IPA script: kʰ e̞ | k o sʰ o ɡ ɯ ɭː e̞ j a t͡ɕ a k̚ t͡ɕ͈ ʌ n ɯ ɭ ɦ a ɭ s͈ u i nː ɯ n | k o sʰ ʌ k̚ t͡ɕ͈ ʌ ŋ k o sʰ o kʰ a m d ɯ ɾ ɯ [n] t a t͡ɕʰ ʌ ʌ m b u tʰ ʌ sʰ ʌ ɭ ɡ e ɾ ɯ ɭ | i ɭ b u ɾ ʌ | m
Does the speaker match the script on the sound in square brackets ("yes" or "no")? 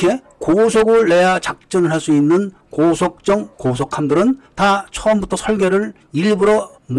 yes